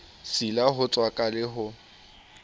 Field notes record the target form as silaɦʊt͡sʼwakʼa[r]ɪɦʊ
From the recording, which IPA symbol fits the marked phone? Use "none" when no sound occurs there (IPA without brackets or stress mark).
l